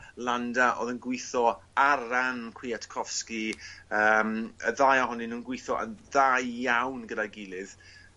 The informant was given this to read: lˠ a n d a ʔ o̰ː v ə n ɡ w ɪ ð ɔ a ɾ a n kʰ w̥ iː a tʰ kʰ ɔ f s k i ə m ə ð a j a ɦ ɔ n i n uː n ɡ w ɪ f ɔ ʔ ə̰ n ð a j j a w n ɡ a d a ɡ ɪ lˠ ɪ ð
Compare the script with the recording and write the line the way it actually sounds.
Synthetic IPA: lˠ a n d a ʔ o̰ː ð ə n ɡ w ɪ θ ɔ a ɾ a n kʰ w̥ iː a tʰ kʰ ɔ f s k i ə m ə ð a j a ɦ ɔ n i n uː n ɡ w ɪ θ ɔ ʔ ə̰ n ð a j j a w n ɡ ə d a ɡ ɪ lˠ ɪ ð